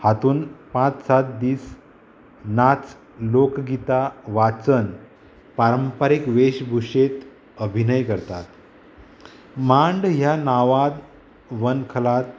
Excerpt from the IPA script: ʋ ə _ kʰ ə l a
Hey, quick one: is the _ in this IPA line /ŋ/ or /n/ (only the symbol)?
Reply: n